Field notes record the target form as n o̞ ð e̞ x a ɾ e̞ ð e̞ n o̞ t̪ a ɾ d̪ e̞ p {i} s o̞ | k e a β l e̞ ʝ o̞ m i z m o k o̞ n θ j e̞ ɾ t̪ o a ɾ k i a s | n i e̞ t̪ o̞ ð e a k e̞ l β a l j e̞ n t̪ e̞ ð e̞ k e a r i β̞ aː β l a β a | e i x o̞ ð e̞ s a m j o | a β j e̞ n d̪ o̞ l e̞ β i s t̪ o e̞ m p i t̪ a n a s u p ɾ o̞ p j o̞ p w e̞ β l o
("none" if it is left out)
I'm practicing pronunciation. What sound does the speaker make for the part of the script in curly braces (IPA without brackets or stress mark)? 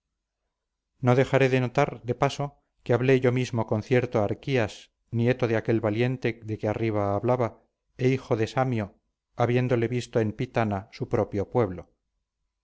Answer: a